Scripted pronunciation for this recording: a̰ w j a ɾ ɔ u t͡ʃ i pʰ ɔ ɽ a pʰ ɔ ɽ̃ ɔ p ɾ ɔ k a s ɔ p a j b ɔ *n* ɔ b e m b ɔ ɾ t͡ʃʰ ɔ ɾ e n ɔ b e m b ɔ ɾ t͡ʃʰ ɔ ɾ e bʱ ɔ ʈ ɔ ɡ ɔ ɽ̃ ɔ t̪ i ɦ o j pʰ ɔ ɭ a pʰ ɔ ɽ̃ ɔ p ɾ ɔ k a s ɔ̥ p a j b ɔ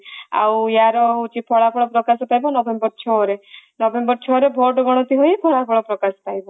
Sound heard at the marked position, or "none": n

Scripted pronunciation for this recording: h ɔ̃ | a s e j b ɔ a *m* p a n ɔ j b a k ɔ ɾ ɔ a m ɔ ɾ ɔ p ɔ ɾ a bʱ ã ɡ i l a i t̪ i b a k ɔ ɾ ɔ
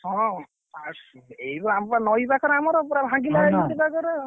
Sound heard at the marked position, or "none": m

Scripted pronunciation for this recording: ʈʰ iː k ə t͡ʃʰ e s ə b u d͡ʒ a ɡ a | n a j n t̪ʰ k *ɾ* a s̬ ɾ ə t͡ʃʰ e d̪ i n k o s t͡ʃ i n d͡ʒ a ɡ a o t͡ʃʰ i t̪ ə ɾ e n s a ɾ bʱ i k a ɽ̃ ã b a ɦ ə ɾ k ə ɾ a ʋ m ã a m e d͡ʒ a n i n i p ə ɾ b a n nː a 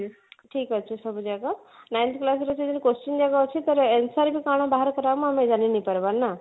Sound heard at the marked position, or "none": l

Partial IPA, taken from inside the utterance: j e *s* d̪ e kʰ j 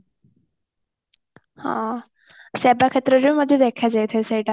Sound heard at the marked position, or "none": none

